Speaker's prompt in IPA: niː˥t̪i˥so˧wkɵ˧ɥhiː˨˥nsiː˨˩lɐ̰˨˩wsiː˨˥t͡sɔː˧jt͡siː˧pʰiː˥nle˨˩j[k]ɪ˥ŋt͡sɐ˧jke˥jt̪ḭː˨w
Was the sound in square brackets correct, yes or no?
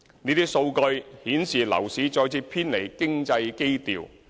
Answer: yes